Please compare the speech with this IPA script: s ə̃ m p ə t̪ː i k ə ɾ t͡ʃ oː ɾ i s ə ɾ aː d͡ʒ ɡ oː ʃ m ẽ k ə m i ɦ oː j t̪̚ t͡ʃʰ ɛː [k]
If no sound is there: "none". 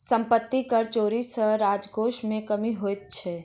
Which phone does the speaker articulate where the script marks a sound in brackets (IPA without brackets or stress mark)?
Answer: none